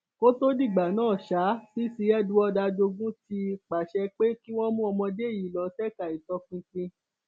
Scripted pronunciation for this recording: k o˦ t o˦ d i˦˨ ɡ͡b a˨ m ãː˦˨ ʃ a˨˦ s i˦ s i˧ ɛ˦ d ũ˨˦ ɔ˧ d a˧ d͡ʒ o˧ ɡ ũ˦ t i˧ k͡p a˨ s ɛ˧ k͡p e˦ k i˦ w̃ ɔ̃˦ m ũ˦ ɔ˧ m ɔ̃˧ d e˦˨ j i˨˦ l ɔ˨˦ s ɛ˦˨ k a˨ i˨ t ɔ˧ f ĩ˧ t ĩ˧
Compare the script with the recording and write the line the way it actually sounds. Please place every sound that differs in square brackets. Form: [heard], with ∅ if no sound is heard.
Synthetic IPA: k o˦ t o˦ d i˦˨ ɡ͡b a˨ [n] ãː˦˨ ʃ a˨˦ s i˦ s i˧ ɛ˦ d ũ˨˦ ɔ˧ d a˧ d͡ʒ o˧ ɡ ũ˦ t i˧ k͡p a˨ [ʃ] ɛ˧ k͡p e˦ k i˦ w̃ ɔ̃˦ m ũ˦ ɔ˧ m ɔ̃˧ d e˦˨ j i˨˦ l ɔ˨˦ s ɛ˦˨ k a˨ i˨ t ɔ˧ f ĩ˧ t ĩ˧